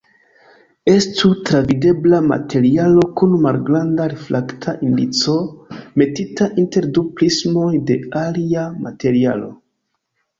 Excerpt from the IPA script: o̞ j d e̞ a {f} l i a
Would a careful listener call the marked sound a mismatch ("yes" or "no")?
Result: yes